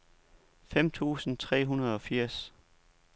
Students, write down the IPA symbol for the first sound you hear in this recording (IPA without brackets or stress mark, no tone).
f